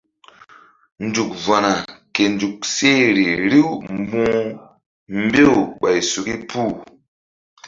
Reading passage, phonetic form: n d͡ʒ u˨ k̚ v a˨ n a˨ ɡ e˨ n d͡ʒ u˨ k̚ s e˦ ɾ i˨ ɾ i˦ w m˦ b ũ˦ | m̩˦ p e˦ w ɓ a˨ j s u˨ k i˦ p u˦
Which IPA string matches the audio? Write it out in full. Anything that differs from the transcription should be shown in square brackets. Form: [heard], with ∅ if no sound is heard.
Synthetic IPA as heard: n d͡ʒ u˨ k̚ v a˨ n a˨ [k] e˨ n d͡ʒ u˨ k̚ s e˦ ɾ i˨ ɾ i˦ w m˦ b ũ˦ | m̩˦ [b] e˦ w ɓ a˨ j s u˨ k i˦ p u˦